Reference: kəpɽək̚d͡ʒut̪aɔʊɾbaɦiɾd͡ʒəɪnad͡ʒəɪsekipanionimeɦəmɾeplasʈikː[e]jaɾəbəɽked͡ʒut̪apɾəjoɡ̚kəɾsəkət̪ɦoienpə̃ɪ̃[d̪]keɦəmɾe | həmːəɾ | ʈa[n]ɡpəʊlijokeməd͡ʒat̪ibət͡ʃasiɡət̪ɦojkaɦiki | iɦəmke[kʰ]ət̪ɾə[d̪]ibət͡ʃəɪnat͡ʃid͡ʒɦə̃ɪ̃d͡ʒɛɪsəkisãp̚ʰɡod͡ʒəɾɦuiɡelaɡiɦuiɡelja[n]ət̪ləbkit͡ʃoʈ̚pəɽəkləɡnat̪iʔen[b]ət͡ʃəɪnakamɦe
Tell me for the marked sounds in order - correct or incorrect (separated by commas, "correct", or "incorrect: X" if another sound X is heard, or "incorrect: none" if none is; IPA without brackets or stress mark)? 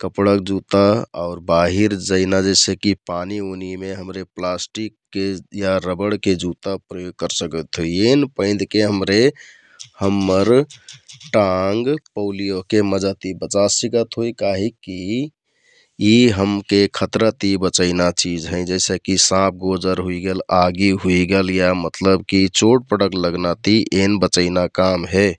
correct, correct, incorrect: ŋ, correct, incorrect: t̪, incorrect: m, correct